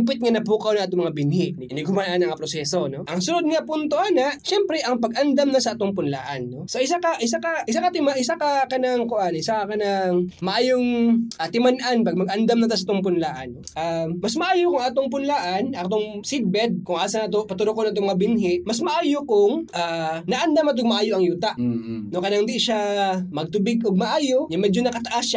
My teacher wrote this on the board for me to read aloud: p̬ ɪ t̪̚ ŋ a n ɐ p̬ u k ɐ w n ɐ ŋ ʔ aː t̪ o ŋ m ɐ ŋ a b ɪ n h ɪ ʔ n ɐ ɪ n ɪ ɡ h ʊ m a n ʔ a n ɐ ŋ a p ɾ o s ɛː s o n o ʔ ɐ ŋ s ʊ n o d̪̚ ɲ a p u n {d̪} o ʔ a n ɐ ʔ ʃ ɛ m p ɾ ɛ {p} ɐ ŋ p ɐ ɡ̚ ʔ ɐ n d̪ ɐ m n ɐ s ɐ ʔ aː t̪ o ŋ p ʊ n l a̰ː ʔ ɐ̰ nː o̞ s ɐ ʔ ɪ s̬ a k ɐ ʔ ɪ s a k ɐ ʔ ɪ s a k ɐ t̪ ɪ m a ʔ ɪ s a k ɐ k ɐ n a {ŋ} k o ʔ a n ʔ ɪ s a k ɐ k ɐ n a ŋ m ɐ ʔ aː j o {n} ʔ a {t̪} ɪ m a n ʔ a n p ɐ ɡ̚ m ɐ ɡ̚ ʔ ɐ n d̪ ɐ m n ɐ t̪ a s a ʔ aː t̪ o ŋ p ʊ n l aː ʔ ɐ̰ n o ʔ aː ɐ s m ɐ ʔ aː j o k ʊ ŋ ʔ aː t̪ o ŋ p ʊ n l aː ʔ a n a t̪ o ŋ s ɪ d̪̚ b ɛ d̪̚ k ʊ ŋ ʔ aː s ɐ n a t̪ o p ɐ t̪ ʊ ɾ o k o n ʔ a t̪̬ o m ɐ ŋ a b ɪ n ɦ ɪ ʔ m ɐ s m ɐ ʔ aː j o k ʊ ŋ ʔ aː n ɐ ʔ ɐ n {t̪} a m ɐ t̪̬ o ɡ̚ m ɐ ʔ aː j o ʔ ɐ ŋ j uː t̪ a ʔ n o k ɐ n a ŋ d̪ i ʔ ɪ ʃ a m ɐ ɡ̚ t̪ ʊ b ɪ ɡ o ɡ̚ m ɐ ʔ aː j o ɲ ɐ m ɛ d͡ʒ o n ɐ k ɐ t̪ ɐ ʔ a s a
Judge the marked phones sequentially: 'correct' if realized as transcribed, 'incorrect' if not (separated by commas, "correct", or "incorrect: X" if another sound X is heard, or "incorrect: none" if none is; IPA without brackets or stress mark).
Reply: incorrect: t̪, incorrect: ʔ, correct, incorrect: ŋ, correct, incorrect: d̪